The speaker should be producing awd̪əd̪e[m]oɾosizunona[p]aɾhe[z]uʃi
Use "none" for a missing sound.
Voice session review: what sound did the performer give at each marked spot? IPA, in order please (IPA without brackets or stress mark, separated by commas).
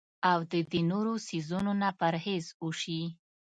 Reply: n, p, z